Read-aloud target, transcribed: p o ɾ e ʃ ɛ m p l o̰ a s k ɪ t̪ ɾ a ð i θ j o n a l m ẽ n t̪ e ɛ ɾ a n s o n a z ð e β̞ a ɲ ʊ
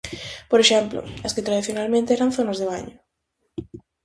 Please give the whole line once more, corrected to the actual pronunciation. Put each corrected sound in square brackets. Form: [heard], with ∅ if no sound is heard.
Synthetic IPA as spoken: p o ɾ e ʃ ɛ m p l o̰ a s k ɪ t̪ ɾ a ð i θ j o n a l m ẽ n t̪ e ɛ ɾ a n [θ] o n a z ð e β̞ a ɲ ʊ